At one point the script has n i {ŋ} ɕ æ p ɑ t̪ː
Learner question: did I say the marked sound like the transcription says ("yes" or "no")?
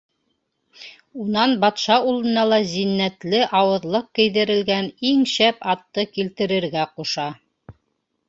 yes